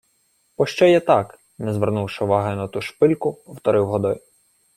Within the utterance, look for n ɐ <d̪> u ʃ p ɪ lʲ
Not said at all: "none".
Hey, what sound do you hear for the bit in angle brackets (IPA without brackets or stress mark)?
t̪